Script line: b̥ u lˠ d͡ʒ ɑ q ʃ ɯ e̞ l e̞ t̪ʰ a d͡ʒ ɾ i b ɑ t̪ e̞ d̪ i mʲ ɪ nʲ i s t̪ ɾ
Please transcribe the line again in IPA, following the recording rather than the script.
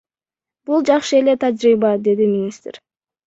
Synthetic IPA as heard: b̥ u lˠ d͡ʒ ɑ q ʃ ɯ e̞ l e̞ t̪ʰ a d͡ʒ ɾ i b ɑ d̪ e̞ d̪ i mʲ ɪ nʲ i s t̪ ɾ